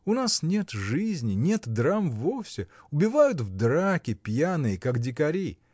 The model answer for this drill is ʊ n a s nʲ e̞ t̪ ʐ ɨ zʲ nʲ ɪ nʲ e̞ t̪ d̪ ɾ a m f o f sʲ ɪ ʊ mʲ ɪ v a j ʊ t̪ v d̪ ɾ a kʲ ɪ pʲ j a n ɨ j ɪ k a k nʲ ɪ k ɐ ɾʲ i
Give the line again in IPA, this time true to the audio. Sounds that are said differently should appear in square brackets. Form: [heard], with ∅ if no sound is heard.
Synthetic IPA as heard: ʊ n a s nʲ e̞ t̪ ʐ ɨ zʲ nʲ ɪ nʲ e̞ t̪ d̪ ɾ a m [v] o f sʲ ɪ ʊ [bʲ] ɪ v a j ʊ t̪ v d̪ ɾ a kʲ ɪ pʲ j a n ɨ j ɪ k a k [dʲ] ɪ k ɐ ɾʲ i